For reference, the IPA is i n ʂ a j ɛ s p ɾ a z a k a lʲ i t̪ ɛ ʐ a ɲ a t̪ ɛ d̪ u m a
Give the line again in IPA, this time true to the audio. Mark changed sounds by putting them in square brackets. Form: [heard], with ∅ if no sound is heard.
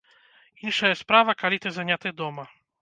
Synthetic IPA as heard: i n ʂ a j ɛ s p ɾ a [v] a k a lʲ i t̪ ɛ [z] a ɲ a t̪ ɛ d̪ [ɔ] m a